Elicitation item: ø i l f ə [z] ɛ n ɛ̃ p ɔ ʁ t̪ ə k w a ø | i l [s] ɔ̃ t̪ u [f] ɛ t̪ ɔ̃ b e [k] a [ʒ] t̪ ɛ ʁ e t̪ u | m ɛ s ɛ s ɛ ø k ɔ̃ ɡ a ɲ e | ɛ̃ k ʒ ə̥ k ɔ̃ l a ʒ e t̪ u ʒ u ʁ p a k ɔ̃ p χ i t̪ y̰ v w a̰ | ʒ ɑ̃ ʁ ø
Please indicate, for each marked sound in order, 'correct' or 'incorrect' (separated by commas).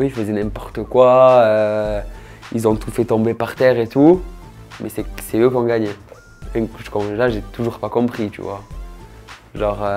correct, incorrect, correct, incorrect, incorrect